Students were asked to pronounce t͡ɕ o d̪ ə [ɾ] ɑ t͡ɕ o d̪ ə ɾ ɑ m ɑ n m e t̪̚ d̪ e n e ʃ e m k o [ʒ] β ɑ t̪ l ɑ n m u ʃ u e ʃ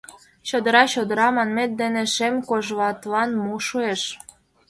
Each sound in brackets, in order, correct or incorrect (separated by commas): correct, correct